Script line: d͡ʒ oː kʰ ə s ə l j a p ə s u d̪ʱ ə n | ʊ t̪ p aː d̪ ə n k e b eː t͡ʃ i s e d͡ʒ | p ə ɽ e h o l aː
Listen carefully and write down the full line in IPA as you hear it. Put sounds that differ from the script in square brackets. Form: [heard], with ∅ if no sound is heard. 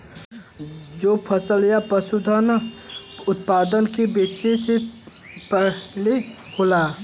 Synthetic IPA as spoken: d͡ʒ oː [pʰ] ə s ə l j a p ə s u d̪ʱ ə n | ʊ t̪ p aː d̪ ə n k e b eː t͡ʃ [e] s e [∅] | p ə [l] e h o l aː